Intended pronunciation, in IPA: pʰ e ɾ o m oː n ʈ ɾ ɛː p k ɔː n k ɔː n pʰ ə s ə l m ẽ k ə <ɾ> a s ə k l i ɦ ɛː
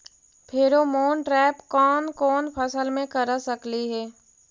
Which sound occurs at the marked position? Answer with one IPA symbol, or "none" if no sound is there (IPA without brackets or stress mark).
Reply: ɾ